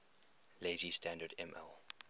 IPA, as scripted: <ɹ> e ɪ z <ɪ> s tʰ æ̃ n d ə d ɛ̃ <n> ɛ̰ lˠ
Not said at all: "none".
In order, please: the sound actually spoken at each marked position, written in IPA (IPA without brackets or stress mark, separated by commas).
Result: l, i, m